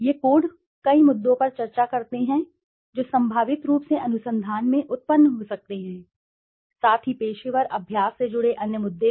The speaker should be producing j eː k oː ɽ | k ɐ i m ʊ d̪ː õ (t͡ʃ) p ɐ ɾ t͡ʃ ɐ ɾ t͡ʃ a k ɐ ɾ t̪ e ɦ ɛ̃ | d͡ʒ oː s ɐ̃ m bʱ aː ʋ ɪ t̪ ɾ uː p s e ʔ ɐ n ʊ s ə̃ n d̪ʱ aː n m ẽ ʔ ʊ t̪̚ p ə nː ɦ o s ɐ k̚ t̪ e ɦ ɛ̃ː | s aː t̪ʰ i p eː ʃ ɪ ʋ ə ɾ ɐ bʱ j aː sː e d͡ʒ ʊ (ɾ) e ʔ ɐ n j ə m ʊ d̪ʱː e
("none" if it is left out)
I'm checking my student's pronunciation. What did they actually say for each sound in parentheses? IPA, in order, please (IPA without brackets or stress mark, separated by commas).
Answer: none, ɽ